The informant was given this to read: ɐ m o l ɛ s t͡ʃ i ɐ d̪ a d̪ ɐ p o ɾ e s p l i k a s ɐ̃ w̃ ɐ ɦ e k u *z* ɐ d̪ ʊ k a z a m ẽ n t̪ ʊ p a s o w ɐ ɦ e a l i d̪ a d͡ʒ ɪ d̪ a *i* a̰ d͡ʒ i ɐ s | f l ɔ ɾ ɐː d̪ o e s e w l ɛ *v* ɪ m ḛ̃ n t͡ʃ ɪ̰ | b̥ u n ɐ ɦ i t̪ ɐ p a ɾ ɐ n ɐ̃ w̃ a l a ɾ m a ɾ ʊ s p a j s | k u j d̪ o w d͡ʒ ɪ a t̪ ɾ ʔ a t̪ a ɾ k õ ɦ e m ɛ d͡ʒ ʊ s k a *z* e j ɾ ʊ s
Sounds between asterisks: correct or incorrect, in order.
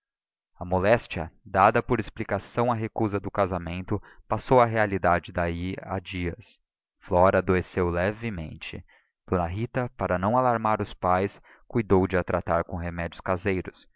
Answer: correct, correct, correct, correct

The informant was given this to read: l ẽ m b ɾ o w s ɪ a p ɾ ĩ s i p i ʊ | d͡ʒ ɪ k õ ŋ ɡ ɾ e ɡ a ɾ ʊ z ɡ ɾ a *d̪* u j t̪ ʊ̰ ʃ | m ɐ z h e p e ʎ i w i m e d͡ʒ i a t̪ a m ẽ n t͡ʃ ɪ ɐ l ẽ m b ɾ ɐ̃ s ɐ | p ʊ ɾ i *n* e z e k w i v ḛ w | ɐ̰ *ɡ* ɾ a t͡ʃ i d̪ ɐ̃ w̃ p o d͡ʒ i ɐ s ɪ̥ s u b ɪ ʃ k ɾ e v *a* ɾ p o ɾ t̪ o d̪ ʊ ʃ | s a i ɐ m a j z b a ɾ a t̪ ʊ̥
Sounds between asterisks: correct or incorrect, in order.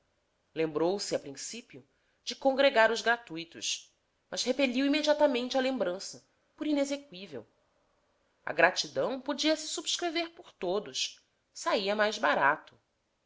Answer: incorrect, correct, correct, incorrect

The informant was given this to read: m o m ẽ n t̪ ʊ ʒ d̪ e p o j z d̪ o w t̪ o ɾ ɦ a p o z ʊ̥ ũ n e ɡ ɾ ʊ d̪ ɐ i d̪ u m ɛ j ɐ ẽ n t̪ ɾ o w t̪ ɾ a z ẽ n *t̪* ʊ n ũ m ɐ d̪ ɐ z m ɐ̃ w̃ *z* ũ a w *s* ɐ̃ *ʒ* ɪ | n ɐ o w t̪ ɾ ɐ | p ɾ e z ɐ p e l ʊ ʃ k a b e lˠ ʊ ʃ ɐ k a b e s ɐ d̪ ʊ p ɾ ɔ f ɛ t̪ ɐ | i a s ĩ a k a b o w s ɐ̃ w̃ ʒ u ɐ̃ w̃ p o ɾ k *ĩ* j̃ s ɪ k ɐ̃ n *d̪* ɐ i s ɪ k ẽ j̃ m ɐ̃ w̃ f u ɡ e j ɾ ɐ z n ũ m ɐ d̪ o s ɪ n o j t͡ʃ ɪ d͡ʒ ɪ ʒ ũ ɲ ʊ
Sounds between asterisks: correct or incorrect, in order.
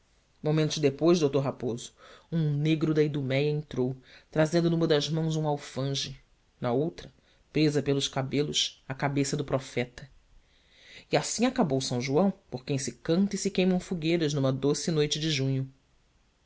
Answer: incorrect, correct, incorrect, correct, incorrect, incorrect

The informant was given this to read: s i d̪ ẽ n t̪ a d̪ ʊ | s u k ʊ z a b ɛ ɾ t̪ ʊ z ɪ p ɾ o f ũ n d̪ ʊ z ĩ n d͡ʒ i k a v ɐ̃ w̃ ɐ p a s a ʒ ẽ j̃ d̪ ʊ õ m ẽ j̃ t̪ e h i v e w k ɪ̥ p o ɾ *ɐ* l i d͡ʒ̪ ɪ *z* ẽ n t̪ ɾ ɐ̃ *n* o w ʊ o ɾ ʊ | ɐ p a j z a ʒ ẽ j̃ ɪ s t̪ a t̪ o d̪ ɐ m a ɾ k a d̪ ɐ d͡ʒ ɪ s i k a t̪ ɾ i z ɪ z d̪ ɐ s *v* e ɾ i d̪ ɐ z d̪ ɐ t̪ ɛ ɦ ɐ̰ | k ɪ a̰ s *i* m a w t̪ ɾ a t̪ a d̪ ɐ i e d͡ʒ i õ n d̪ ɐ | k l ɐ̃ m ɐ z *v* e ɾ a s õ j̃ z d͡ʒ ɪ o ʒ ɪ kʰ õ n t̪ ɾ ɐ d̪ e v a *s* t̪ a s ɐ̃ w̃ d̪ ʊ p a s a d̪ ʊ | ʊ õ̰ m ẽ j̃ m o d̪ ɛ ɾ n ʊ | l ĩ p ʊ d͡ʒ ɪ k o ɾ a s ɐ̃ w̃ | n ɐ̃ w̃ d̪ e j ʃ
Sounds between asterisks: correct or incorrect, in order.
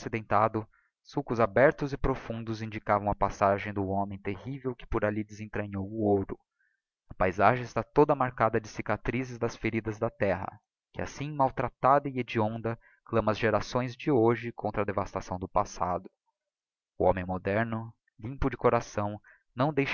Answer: incorrect, correct, incorrect, incorrect, incorrect, incorrect, correct

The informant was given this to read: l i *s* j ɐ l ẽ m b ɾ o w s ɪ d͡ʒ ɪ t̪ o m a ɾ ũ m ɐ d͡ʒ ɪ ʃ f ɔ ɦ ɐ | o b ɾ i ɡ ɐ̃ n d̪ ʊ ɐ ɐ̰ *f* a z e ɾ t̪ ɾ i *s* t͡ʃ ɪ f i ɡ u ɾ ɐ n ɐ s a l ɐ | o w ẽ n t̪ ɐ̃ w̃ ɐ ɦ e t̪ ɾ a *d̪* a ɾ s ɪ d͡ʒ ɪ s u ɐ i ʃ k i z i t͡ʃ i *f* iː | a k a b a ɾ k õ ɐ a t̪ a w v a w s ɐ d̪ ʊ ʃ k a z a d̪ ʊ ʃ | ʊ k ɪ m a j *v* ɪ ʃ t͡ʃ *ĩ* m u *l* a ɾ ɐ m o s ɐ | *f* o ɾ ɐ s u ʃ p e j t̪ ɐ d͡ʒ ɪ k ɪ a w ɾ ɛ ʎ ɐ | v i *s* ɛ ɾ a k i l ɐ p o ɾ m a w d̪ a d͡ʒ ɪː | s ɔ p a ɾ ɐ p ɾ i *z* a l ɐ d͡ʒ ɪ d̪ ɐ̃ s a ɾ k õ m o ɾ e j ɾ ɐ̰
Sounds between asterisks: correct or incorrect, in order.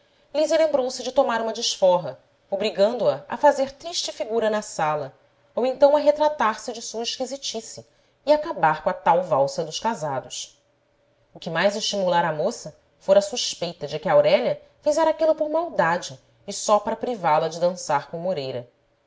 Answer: incorrect, correct, incorrect, incorrect, incorrect, incorrect, incorrect, correct, correct, incorrect, incorrect

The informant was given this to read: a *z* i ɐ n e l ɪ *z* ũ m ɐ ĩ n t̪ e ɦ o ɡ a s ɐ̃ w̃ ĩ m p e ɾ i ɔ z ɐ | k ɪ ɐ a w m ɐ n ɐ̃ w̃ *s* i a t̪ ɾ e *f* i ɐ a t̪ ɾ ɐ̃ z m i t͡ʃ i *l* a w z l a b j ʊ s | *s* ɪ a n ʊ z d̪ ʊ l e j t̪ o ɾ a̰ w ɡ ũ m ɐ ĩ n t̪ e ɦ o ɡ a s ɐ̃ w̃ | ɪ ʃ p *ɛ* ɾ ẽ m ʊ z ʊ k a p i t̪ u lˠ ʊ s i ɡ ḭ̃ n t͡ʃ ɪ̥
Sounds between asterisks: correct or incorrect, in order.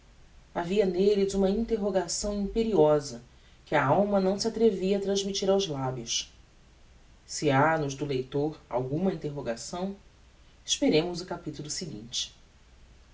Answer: incorrect, correct, correct, incorrect, incorrect, correct, incorrect

